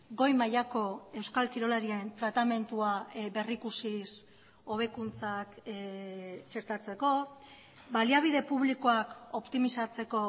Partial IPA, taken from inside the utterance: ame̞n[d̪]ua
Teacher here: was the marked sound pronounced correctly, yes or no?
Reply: no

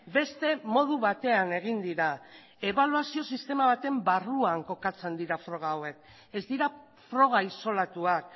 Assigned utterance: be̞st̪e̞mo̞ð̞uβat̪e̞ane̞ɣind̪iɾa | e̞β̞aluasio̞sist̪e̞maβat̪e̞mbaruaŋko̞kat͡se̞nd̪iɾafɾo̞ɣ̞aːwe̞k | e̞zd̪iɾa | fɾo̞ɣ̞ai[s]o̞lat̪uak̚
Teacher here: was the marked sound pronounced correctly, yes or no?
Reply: yes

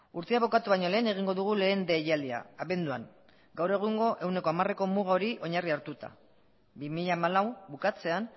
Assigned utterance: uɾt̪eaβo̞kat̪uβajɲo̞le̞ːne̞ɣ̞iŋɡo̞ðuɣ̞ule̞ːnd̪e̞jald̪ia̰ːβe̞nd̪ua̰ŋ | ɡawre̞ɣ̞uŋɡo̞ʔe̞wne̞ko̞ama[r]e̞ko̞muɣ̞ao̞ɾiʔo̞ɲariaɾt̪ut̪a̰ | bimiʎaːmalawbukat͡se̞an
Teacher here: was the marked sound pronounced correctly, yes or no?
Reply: yes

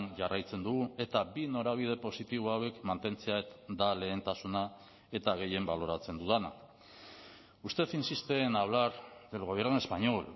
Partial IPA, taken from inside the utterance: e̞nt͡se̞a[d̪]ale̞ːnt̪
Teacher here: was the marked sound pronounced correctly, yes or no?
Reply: yes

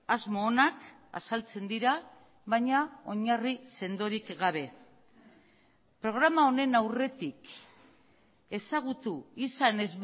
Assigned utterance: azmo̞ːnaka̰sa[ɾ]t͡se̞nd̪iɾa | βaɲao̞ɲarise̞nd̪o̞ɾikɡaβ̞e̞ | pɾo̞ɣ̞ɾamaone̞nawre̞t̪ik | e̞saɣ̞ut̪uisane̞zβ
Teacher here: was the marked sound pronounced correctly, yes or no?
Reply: no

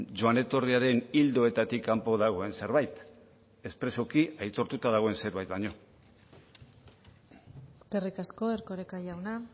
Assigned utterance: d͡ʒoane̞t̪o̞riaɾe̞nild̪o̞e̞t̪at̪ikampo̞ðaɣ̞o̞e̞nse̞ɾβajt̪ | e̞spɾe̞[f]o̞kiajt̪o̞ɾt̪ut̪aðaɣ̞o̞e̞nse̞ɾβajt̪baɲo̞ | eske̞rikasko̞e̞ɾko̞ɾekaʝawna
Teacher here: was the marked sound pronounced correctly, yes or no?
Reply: no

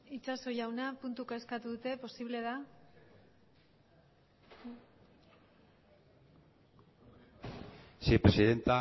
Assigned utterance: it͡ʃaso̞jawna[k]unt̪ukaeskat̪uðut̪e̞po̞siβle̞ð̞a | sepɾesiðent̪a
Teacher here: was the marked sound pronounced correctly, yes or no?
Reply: no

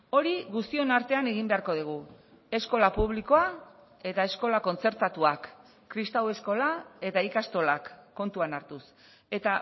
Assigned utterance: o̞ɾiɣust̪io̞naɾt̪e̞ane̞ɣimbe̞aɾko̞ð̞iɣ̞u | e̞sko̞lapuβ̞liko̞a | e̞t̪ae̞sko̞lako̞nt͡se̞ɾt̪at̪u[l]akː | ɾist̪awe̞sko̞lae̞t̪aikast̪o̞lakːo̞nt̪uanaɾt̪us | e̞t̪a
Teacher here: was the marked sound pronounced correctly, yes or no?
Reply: no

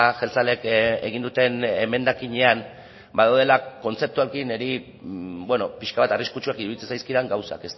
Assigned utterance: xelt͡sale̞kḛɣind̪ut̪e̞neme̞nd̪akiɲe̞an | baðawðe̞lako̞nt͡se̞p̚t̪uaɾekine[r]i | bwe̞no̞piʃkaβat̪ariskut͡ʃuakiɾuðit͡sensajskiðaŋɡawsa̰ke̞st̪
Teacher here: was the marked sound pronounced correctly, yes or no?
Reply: no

